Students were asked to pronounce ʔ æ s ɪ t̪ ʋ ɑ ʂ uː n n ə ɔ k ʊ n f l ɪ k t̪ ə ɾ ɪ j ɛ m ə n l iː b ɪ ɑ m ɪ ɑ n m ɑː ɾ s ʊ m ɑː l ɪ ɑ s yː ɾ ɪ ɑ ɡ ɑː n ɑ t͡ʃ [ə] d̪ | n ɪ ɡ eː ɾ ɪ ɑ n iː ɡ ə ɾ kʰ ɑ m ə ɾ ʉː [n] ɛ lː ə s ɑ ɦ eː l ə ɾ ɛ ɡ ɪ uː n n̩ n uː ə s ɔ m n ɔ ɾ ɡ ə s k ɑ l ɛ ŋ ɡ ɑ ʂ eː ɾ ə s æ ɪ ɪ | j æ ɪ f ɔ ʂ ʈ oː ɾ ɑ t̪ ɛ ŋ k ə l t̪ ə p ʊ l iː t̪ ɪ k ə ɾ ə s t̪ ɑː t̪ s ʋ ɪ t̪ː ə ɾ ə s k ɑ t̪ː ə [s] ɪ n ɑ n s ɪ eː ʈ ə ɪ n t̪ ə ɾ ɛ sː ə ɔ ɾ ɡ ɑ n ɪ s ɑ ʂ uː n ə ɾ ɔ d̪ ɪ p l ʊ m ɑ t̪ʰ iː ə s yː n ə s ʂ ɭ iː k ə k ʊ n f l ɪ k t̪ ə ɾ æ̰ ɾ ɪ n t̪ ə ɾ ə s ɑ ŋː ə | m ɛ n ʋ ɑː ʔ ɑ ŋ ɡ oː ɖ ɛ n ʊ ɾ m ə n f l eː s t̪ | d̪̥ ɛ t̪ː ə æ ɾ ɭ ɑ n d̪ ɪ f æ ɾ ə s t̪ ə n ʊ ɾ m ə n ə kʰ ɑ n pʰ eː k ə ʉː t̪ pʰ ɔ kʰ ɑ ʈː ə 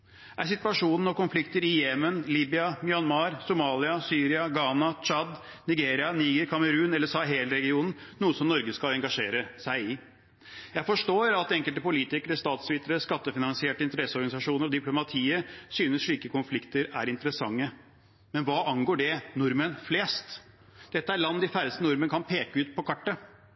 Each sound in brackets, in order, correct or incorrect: incorrect: ɑ, correct, incorrect: f

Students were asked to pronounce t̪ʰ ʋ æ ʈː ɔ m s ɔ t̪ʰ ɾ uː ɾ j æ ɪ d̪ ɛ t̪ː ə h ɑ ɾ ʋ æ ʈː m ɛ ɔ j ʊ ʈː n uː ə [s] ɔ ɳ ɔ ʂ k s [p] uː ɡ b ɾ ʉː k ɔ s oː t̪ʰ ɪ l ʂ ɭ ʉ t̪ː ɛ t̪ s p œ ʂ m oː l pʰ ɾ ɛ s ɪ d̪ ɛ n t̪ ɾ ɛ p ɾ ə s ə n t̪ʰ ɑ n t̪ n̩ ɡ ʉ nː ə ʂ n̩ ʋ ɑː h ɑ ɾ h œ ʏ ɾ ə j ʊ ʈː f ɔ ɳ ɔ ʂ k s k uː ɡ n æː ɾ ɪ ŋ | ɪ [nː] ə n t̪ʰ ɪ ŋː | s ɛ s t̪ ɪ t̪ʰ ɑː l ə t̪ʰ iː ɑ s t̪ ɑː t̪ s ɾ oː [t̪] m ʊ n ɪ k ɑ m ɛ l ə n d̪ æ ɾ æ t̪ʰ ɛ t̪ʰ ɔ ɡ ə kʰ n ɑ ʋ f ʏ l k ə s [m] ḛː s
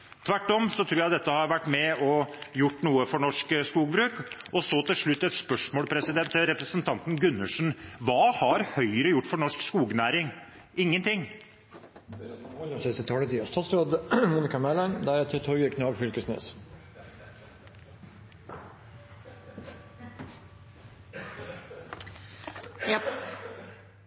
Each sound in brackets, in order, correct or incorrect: incorrect: f, incorrect: k, incorrect: ŋː, incorrect: d̪, incorrect: n

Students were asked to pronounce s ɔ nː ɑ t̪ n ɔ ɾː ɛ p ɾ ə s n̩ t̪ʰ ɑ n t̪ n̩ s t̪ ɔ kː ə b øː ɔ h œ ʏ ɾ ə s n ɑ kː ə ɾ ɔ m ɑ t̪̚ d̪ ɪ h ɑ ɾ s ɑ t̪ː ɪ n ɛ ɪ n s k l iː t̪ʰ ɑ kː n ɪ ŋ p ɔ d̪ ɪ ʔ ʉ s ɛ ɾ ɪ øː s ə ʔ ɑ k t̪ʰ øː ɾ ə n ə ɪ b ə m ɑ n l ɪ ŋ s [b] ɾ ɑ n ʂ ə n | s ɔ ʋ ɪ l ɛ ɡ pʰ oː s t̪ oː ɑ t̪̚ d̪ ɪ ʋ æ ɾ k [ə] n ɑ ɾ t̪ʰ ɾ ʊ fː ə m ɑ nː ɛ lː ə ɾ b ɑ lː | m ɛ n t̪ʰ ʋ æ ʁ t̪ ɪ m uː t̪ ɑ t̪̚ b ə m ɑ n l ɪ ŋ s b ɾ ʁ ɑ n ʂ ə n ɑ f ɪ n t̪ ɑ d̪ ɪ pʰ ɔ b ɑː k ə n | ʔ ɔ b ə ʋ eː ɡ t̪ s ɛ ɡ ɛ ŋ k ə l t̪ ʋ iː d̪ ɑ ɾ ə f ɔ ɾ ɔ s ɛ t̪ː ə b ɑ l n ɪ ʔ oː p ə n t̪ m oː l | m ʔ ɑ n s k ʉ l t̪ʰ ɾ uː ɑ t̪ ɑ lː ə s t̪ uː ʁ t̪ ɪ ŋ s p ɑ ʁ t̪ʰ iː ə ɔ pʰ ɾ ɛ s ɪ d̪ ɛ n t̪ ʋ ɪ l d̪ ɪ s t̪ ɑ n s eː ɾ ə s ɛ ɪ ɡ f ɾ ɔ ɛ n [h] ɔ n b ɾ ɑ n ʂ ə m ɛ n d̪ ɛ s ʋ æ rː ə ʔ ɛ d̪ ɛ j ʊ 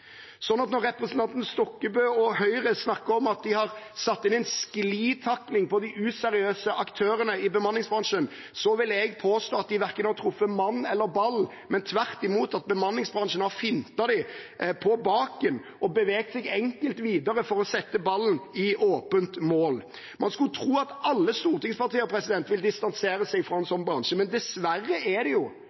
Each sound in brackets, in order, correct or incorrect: correct, correct, incorrect: s

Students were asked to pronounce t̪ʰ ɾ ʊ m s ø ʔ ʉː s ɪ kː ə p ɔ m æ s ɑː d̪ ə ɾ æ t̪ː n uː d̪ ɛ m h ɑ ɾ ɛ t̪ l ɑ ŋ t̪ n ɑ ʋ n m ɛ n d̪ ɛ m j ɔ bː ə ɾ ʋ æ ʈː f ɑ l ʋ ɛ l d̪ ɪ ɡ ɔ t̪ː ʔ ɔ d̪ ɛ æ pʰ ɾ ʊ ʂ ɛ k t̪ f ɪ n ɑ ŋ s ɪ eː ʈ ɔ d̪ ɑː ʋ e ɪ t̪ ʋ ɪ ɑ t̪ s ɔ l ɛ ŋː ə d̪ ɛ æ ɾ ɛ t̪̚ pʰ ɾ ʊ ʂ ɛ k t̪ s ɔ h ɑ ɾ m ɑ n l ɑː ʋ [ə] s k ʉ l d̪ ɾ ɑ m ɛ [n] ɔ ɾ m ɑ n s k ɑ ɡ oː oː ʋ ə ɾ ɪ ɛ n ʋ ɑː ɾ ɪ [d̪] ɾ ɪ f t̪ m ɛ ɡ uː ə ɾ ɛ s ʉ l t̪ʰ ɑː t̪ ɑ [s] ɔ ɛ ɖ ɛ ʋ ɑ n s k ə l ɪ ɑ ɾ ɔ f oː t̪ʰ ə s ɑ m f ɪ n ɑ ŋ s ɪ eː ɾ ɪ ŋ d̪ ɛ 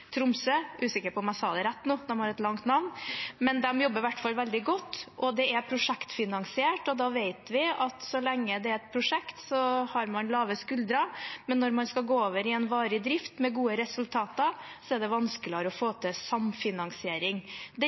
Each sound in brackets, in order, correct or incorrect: correct, incorrect: nː, correct, correct

